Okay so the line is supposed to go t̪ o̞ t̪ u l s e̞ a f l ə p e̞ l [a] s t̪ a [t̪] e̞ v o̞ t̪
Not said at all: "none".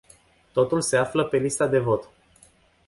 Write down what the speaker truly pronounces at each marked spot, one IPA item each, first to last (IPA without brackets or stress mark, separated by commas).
i, d̪